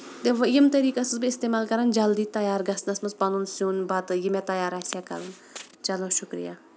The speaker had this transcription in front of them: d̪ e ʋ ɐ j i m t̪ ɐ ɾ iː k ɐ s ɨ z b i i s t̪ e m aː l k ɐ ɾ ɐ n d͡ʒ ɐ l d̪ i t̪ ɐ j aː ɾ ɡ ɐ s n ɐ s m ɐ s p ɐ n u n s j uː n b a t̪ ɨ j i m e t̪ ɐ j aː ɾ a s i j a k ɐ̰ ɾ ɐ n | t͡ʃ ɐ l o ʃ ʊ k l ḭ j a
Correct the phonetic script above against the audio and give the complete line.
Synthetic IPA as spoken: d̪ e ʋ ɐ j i m t̪ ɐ ɾ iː k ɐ s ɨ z b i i s t̪ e m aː l k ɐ ɾ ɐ n d͡ʒ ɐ l d̪ i t̪ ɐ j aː ɾ ɡ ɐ s n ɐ s m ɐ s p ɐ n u n s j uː n b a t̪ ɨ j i m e t̪ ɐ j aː ɾ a s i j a k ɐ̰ ɾ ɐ n | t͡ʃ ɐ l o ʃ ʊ k ɾ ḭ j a